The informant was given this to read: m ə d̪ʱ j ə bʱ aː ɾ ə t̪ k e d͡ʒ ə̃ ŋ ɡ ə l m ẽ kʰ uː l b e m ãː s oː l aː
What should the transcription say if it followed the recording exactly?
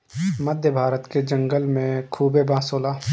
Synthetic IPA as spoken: m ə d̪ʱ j ə bʱ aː ɾ ə t̪ k e d͡ʒ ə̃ ŋ ɡ ə l m ẽ kʰ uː b e b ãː s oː l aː